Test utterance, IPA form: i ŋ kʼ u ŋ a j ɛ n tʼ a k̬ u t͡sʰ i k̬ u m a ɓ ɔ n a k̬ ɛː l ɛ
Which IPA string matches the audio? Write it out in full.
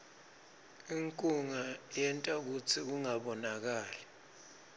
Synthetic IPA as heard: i ŋ kʼ u ŋ a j ɛ n tʼ a k̬ u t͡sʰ i k̬ u ŋ a ɓ ɔ n a k̬ aː l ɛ

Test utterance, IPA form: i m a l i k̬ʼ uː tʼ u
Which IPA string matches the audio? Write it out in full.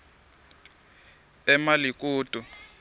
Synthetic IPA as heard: ɛ m a l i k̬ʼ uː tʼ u

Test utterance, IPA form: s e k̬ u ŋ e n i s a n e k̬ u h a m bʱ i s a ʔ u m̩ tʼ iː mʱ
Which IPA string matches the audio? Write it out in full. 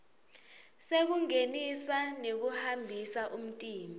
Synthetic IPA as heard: s e k̬ u ŋ e n i s a n e k̬ u h a m bʱ i s a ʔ u m̩ tʼ iː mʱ

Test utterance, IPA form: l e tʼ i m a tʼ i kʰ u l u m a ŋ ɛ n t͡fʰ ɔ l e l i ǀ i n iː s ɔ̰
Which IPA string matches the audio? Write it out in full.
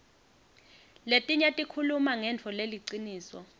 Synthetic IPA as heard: l e tʼ i ɲ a tʼ i kʰ u l u m a ŋ ɛ n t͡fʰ ɔ l e l i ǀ i n iː s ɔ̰

